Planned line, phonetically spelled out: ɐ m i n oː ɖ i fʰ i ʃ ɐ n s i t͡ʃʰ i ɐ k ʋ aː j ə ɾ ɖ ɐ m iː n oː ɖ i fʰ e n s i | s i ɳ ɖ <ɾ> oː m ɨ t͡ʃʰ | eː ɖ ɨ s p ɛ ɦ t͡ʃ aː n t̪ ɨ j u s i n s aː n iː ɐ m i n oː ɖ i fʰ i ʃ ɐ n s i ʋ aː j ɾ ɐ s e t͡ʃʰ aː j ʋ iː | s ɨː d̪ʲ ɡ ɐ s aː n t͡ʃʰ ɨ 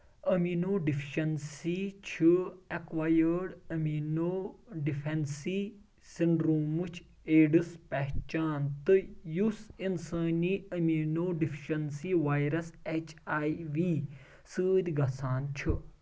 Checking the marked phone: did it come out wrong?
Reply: no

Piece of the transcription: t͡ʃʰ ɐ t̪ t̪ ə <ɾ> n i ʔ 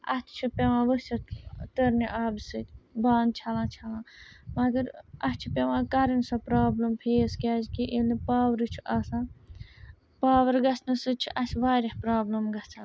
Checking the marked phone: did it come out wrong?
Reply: no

